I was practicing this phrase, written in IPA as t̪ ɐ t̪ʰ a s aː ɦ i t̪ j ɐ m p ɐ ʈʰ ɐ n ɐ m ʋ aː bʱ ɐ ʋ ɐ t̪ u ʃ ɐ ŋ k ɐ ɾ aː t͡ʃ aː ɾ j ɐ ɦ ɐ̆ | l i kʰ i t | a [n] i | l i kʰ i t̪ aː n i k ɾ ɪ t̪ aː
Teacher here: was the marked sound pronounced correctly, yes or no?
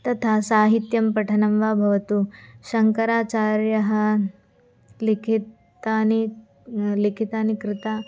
yes